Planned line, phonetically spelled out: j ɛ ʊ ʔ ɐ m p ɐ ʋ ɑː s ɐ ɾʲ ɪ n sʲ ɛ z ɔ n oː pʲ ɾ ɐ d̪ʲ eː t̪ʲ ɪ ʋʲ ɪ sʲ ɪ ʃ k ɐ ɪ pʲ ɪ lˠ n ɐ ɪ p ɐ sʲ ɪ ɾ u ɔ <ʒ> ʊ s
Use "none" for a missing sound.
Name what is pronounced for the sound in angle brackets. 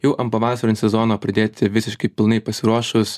ʃ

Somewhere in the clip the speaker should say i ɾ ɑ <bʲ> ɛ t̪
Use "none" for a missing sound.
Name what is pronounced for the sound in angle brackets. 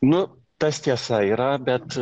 bʲ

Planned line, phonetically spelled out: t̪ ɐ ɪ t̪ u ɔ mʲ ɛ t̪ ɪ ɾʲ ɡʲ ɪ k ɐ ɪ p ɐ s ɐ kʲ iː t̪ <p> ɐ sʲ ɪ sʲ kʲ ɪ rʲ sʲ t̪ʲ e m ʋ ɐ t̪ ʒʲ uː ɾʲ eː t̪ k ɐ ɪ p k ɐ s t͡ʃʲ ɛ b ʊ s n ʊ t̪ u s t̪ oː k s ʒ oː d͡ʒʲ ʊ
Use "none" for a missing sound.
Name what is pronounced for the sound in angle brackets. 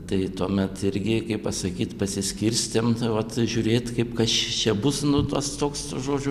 p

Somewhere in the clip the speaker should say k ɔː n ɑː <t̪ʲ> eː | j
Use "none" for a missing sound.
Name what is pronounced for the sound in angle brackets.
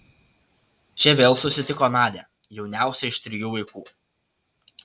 d̪ʲ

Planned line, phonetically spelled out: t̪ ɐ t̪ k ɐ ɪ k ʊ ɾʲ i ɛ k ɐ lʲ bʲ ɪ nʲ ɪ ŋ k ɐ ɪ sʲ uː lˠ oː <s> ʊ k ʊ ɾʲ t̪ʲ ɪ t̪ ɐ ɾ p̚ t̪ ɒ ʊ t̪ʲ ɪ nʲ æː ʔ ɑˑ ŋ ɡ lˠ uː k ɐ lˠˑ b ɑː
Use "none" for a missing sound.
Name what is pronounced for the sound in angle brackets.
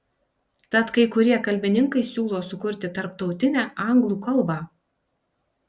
s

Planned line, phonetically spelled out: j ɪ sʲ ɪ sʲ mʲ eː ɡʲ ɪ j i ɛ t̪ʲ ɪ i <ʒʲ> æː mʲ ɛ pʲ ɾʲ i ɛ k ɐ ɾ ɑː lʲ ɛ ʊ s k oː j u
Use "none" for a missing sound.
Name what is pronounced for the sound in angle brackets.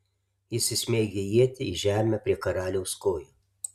ʒʲ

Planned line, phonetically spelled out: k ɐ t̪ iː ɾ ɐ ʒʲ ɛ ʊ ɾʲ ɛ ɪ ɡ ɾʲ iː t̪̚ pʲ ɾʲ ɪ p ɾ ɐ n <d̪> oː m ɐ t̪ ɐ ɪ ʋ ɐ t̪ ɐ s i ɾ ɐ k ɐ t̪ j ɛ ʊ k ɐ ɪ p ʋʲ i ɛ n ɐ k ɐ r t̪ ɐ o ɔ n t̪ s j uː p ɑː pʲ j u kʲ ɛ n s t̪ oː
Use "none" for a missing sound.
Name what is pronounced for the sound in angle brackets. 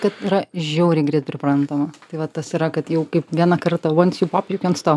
t̪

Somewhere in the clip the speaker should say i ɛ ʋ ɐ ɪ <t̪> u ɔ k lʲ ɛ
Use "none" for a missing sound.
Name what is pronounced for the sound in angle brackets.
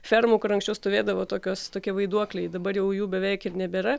d̪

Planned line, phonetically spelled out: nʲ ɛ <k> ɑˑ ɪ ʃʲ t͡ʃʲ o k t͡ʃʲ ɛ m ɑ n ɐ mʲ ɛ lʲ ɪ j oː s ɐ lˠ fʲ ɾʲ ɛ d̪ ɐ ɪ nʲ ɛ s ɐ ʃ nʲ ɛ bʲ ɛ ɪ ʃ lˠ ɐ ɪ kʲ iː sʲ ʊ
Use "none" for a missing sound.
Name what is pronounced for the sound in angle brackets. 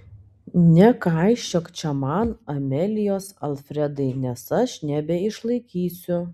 k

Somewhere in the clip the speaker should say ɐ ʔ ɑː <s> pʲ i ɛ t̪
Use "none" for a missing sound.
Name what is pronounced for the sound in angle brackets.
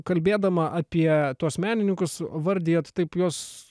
none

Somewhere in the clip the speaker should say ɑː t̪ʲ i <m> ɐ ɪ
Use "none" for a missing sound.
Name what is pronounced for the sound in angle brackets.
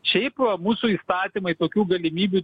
m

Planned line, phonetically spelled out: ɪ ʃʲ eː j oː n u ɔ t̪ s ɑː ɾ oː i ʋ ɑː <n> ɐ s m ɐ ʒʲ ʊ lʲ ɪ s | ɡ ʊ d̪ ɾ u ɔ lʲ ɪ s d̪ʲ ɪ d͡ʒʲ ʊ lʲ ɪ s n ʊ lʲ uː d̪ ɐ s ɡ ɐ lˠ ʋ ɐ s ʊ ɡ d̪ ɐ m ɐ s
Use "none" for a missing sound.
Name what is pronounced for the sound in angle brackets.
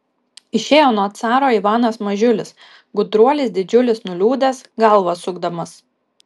n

